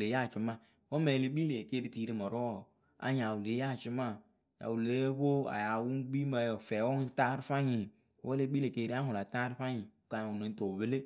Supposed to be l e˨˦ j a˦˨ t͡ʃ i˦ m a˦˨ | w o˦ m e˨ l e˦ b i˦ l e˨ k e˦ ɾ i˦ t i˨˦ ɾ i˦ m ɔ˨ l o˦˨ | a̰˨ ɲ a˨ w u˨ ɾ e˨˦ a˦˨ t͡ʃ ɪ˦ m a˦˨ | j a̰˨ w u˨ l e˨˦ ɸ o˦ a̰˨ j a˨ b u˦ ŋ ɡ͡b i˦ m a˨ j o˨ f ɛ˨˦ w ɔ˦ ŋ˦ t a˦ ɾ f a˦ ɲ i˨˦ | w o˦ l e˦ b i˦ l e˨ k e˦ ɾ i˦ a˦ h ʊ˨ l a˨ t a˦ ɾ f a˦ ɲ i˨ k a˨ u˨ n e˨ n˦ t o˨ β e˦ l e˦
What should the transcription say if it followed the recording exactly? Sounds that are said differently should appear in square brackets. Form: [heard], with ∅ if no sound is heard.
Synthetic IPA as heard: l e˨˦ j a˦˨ t͡ʃ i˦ m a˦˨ | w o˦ m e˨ l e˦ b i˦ l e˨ k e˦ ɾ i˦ t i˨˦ ɾ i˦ m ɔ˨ [ɾ] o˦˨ | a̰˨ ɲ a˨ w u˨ [l] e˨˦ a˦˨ t͡ʃ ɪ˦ m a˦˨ | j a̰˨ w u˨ l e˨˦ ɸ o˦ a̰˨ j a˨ [w] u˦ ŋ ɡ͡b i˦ m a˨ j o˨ f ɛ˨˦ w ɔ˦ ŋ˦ t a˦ ɾ f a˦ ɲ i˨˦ | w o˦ l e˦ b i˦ l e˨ k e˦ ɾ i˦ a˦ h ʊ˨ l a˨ t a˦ ɾ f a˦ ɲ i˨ k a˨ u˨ n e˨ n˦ t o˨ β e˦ l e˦